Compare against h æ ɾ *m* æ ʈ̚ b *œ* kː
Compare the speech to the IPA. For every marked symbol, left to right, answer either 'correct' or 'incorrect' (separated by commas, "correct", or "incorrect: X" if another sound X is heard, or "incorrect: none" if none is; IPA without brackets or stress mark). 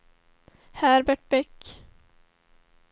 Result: incorrect: b, incorrect: ɛ